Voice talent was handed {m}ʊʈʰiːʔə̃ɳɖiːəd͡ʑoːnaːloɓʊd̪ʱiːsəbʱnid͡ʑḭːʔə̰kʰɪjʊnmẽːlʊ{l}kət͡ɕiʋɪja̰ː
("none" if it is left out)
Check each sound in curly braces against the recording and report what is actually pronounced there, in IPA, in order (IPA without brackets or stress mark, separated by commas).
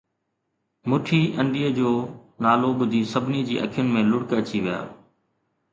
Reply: m, ɽ